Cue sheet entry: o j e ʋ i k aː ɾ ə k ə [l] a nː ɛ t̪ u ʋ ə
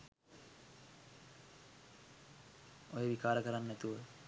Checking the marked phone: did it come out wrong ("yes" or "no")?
yes